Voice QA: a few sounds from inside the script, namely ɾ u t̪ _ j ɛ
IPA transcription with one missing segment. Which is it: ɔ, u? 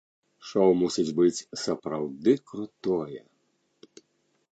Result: ɔ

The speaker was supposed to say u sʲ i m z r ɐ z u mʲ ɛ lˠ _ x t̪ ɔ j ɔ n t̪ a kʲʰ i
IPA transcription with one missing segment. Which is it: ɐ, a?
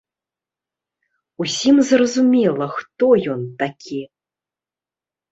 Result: ɐ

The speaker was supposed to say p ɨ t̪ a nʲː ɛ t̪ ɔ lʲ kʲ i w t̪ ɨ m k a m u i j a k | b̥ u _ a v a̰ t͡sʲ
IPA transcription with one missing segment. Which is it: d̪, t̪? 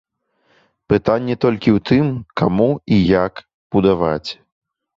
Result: d̪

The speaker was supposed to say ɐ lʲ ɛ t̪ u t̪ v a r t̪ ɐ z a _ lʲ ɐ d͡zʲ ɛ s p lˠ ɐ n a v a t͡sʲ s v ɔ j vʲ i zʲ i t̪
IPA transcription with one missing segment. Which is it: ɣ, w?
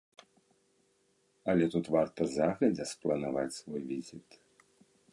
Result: ɣ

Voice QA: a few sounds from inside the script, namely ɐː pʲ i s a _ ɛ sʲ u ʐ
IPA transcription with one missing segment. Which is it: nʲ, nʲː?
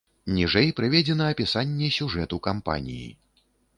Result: nʲː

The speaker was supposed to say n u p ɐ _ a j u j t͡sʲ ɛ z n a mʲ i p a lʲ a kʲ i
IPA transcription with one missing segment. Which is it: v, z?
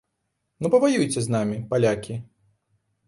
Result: v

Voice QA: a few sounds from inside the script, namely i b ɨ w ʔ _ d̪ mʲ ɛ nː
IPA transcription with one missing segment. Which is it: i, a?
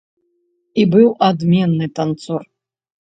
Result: a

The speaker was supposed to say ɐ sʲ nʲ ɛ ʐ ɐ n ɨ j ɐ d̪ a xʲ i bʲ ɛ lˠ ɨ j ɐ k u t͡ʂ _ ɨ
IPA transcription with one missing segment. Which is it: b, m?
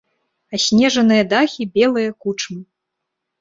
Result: m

